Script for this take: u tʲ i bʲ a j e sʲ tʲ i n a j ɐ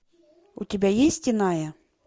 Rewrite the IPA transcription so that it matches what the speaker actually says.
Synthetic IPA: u tʲ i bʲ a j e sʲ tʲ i n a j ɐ